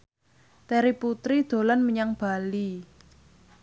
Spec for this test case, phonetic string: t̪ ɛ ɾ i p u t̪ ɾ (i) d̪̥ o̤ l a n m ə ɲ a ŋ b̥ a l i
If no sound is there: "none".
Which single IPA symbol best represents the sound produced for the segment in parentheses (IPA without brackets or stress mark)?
i